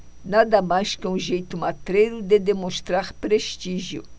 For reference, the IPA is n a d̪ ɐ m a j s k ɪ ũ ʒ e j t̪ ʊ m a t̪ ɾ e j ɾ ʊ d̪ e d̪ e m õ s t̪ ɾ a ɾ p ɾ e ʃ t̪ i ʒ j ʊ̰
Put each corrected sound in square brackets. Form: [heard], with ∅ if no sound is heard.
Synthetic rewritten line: n a d̪ ɐ m a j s k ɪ ũ ʒ e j t̪ ʊ m a t̪ ɾ e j ɾ ʊ d̪ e d̪ e m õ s t̪ ɾ a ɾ p ɾ e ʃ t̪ i ʒ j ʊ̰